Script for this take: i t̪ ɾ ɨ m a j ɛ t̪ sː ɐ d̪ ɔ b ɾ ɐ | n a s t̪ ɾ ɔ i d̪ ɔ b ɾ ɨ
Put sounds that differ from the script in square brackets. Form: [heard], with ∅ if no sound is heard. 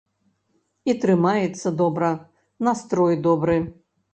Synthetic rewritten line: i t̪ ɾ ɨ m a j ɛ t̪ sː ɐ d̪ ɔ b ɾ ɐ | n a s t̪ ɾ ɔ [j] d̪ ɔ b ɾ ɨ